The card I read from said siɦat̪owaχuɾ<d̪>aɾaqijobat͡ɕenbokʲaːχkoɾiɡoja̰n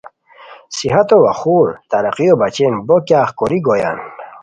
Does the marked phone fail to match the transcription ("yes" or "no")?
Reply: yes